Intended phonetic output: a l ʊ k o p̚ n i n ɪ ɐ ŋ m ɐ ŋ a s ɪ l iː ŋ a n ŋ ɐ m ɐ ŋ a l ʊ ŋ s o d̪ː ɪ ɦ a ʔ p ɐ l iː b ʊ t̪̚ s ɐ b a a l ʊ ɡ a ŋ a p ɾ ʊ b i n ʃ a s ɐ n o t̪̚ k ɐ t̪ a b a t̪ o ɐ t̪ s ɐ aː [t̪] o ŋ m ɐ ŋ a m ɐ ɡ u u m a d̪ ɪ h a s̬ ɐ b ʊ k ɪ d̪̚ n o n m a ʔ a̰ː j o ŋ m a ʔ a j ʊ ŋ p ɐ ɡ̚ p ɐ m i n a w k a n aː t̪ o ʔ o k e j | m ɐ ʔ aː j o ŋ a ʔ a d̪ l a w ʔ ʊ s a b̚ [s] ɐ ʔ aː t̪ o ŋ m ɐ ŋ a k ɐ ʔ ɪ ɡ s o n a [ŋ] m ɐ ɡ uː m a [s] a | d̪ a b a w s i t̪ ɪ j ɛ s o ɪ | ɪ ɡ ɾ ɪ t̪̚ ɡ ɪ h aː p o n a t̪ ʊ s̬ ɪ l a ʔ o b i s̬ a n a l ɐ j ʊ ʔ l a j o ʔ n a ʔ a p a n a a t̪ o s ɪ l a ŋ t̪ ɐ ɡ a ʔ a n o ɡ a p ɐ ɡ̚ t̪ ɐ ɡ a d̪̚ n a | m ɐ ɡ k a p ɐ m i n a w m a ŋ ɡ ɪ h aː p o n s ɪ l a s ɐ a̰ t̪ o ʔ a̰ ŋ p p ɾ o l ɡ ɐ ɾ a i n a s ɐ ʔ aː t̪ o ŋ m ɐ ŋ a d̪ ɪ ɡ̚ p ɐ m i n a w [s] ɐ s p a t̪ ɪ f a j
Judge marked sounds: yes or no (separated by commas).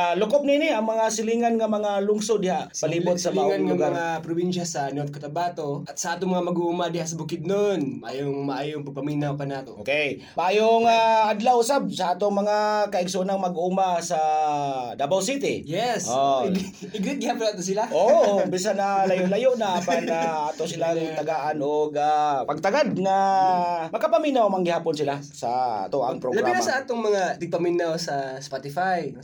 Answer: yes, yes, yes, yes, yes